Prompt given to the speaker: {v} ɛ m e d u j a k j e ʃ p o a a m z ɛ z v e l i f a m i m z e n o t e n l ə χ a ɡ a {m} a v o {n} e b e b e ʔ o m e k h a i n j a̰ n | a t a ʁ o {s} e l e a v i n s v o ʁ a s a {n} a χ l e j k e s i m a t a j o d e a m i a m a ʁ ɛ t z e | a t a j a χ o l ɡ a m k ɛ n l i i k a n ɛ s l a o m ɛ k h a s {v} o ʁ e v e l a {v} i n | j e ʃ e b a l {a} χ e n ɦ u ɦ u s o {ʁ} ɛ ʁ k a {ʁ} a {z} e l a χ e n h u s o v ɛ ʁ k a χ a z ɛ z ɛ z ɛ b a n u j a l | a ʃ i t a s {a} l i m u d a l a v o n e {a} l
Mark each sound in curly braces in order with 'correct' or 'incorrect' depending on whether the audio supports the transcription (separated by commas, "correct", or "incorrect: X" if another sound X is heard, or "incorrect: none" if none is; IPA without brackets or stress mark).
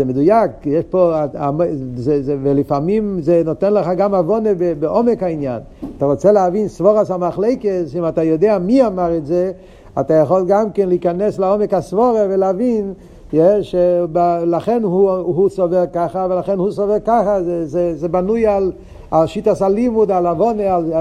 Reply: incorrect: z, correct, correct, incorrect: t͡s, incorrect: m, correct, correct, correct, incorrect: v, incorrect: χ, incorrect: v, correct, correct